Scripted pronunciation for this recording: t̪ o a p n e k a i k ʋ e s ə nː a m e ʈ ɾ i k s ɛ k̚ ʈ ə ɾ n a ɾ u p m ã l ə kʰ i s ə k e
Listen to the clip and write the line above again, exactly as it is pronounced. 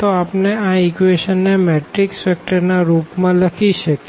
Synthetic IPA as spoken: t̪ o a p n e a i k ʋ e ʃ ə nː e m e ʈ ɾ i k s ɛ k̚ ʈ ə ɾ n a ɾ u p m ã l ə kʰ i ʃ ə k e